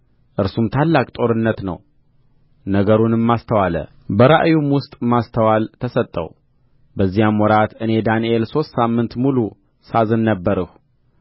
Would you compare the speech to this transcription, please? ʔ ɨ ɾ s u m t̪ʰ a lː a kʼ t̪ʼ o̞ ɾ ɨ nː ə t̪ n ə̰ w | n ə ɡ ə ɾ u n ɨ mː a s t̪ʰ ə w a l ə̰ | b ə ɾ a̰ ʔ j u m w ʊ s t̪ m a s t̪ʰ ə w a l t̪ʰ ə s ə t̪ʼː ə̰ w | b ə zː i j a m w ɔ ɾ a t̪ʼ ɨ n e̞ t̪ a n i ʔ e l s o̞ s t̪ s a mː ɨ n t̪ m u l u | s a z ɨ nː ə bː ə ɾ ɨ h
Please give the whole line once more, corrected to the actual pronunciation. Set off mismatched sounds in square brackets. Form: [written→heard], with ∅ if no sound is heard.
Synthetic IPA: ʔ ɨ ɾ s u m t̪ʰ a lː a kʼ t̪ʼ o̞ ɾ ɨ nː ə t̪ n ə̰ w | n ə ɡ ə ɾ u n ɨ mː a s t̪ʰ ə w a l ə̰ | b ə ɾ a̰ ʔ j u m w ʊ s [t̪→t̪ʼ] m a s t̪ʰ ə w a l t̪ʰ ə s ə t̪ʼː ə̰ w | b ə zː i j a m w ɔ ɾ a [t̪ʼ→t̪] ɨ n e̞ [t̪→d̪] a n i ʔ e l s o̞ s t̪ s a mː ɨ n t̪ m u l u | s a z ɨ nː ə bː ə ɾ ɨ h